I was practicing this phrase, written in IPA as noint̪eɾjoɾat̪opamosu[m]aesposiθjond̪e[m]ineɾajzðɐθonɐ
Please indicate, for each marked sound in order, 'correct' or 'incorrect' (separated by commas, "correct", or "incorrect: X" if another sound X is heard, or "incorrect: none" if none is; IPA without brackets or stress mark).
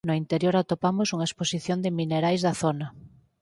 incorrect: ŋ, correct